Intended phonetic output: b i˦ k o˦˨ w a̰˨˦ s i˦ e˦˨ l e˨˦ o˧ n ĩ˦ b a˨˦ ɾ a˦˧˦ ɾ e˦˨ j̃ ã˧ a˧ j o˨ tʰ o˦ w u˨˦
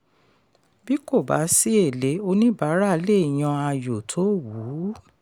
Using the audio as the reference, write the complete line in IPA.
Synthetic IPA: b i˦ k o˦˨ b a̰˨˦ s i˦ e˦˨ l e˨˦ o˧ n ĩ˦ b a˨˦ ɾ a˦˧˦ l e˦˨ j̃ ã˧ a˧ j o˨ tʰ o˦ w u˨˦